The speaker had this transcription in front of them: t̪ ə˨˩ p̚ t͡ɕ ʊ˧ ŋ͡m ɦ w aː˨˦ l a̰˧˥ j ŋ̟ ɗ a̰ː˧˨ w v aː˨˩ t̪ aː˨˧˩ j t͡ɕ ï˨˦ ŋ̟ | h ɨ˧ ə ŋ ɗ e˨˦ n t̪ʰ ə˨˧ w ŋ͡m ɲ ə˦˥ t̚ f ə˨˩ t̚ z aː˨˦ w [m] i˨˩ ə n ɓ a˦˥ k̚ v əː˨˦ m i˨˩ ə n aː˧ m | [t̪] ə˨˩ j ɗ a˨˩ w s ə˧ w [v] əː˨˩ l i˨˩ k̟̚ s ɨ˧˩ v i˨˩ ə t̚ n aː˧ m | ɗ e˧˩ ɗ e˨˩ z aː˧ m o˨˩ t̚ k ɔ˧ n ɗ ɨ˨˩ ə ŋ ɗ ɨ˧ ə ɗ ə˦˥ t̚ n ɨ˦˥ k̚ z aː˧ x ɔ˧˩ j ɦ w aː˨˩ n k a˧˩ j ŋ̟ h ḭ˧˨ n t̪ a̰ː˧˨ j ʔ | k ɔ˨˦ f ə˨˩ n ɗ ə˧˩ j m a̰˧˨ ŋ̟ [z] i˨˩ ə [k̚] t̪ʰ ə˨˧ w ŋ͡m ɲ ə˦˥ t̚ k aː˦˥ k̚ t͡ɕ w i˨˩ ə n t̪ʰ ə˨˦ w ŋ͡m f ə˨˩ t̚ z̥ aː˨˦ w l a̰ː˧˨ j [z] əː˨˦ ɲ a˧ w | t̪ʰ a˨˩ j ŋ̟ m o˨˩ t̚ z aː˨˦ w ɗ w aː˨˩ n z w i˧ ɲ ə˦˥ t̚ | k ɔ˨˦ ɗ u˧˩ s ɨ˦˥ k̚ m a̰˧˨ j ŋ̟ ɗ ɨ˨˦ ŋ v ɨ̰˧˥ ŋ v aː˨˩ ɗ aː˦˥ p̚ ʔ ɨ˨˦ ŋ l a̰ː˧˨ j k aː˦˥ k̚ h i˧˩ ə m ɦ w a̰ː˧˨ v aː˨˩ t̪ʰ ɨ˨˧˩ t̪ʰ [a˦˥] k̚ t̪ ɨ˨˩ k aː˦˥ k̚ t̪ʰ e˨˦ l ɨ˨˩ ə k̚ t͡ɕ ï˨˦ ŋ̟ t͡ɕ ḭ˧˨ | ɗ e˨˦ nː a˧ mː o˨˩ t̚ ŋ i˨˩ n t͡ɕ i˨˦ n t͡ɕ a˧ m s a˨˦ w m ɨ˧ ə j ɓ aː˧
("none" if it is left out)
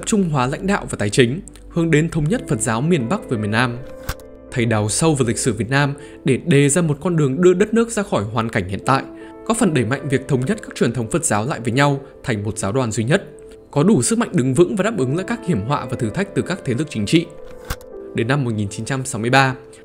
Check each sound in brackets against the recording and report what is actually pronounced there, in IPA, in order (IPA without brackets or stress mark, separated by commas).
m, t̪ʰ, v, v, k̚, v, a˦˥